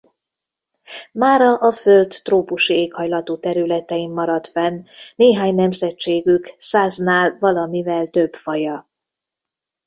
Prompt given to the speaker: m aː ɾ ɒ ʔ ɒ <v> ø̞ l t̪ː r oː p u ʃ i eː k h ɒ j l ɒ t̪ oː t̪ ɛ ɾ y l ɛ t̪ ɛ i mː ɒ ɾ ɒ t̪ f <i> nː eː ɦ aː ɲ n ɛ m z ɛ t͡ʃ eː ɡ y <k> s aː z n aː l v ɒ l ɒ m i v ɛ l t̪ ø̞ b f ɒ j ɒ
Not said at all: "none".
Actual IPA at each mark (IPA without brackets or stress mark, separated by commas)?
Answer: f, ɛ, k